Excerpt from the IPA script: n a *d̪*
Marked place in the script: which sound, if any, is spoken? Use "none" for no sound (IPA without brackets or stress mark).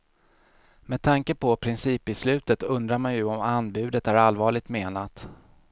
t̪